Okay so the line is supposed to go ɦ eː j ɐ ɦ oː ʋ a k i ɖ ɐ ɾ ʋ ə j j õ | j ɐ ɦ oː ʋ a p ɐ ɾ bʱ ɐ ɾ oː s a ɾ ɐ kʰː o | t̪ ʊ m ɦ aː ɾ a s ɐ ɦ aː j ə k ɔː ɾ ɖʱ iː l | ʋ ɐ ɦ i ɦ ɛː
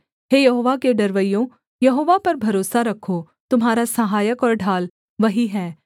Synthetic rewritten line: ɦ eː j ɐ ɦ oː ʋ a k e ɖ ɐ ɾ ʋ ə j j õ | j ɐ ɦ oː ʋ a p ɐ ɾ bʱ ɐ ɾ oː s a ɾ ɐ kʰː o | t̪ ʊ m ɦ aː ɾ a s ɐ ɦ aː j ə k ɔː ɾ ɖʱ aː l | ʋ ɐ ɦ i ɦ ɛː